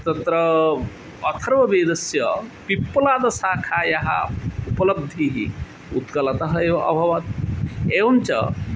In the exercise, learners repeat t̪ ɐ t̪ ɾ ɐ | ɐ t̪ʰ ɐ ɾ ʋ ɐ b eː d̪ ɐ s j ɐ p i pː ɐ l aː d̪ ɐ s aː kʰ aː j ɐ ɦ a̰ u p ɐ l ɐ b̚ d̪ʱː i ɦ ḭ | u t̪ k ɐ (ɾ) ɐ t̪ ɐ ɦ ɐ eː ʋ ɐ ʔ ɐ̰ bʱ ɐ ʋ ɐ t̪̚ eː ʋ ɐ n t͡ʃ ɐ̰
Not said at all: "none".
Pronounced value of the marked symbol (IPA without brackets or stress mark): l